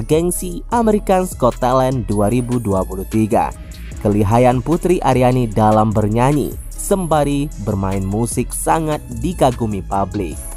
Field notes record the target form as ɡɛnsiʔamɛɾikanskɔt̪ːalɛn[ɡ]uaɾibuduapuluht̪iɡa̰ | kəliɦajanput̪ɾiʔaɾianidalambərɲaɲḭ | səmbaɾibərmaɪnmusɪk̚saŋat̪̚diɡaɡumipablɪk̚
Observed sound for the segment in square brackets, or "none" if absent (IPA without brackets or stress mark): d